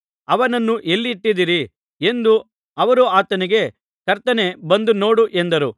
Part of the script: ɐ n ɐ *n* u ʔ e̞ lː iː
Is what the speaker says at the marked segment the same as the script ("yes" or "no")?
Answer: no